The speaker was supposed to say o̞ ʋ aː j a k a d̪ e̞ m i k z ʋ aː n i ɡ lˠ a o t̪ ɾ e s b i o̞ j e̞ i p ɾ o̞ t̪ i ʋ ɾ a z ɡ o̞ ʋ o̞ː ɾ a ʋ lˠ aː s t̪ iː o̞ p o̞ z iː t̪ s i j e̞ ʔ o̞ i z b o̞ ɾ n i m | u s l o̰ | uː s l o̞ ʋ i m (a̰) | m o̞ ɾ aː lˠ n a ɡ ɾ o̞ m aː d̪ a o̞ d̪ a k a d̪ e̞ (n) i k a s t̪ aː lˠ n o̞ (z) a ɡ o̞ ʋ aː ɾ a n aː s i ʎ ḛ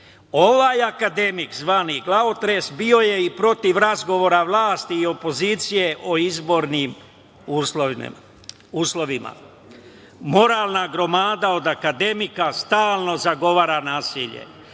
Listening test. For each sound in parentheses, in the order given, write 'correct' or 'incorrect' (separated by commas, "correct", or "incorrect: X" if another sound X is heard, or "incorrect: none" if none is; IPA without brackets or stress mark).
correct, incorrect: m, correct